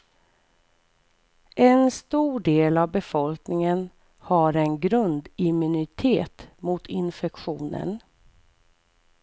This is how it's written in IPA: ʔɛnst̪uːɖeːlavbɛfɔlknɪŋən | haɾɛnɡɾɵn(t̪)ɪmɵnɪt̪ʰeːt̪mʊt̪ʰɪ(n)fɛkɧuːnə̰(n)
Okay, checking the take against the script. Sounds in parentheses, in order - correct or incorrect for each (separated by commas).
incorrect, correct, correct